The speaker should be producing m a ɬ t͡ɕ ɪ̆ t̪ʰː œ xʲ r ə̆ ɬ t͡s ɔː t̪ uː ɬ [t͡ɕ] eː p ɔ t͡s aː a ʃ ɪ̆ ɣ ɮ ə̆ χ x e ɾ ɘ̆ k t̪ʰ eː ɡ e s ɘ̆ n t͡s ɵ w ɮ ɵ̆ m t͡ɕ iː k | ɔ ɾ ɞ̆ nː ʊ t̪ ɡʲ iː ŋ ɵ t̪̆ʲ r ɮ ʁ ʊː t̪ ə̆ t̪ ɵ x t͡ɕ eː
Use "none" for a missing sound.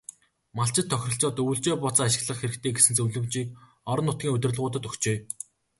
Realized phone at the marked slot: t͡ɕ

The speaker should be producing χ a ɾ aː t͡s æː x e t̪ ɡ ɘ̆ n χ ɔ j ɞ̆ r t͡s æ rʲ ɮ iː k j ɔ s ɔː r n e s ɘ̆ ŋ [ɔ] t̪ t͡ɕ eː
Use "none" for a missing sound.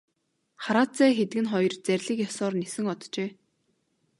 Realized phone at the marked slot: ɔ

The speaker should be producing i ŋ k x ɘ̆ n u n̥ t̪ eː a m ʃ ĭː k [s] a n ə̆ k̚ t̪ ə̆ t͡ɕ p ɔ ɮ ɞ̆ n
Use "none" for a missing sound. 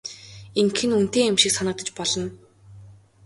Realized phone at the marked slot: s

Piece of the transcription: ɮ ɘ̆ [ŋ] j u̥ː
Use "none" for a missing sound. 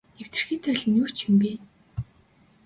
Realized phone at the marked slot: n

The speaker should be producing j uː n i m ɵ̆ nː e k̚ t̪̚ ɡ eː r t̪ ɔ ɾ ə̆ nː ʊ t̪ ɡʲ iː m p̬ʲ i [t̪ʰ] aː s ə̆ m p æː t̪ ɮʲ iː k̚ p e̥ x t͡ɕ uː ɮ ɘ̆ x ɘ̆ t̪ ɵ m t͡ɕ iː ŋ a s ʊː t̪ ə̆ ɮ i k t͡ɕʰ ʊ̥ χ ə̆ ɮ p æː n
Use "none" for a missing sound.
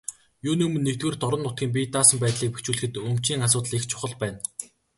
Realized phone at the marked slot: t̪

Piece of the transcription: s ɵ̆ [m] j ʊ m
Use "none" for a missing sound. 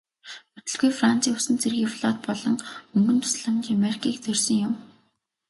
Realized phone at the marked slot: ŋ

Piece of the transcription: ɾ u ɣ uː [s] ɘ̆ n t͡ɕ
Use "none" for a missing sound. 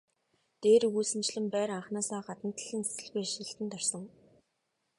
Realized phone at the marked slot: s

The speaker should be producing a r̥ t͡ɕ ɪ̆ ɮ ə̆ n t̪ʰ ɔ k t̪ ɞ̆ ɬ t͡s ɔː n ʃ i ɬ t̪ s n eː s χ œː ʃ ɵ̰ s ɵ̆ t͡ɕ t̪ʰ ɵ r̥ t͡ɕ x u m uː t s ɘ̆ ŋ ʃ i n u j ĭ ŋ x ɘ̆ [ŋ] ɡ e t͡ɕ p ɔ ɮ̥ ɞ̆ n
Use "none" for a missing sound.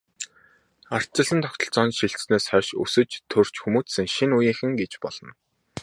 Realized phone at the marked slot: ŋ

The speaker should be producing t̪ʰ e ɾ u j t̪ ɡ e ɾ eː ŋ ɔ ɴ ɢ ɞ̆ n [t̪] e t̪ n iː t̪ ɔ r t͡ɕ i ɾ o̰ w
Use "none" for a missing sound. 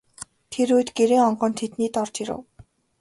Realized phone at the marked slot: t̪ʰ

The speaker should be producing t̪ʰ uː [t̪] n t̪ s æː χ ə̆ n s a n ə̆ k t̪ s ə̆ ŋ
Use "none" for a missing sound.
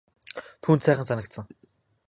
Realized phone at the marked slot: none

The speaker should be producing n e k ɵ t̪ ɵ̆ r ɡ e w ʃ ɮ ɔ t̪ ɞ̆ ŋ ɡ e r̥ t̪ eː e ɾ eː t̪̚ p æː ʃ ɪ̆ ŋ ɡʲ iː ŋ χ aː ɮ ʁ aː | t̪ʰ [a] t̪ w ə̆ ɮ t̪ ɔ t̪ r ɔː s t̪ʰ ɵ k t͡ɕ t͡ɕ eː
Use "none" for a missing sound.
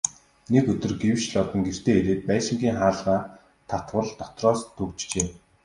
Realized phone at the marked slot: a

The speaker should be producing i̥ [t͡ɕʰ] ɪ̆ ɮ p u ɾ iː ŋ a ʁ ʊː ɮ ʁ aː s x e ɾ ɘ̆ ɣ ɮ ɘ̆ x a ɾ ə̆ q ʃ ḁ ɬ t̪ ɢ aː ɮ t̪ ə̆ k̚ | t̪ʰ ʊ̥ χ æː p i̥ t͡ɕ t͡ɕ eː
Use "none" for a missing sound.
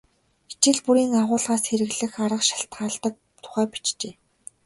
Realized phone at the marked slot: t͡ɕ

